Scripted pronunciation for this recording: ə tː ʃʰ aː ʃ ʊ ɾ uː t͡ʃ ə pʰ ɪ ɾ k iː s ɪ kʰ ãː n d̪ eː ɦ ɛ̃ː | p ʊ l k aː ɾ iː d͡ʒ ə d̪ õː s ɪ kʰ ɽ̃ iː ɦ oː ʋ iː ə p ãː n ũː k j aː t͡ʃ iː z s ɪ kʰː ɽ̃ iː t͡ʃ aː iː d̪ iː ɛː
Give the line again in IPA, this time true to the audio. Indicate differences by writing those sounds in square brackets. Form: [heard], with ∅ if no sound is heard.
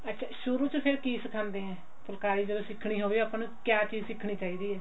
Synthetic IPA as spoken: ə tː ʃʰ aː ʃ ʊ ɾ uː t͡ʃ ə pʰ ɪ ɾ k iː s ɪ kʰ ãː n d̪ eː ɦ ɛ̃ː | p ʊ l k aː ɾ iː d͡ʒ ə d̪ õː s ɪ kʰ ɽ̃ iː ɦ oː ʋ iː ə p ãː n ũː k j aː t͡ʃ iː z s ɪ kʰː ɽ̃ iː t͡ʃ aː iː d̪ iː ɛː